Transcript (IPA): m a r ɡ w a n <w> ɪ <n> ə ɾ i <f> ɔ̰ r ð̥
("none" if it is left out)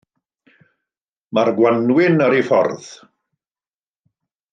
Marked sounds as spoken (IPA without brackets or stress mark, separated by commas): w, n, f